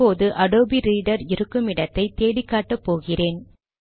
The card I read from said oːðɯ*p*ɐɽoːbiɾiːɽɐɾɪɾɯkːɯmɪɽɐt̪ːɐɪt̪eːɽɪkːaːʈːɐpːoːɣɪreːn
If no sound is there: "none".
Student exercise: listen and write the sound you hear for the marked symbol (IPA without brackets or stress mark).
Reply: ʔ